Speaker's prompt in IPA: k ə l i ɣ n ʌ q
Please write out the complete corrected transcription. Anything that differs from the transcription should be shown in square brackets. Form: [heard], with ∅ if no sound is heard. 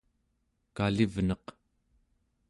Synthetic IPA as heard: k [a] l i [v] n ʌ q